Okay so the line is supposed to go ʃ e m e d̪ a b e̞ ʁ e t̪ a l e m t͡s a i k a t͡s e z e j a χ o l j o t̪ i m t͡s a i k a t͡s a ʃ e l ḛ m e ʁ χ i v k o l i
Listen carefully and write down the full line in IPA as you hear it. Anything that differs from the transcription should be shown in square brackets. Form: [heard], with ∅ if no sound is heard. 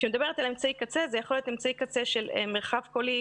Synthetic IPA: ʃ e m e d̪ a b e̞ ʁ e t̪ a l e m t͡s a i k a t͡s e z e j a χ o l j o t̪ [e] m t͡s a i k a t͡s [e] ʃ e l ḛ m e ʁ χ [a] v k o l i